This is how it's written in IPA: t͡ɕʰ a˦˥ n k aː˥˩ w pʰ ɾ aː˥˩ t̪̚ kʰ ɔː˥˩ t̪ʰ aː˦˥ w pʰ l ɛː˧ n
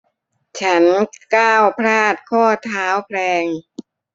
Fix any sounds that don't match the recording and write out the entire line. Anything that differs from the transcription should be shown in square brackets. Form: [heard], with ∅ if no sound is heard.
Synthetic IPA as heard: t͡ɕʰ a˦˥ n k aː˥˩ w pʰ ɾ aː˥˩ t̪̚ kʰ ɔː˥˩ t̪ʰ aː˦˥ w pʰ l ɛː˧ [ŋ]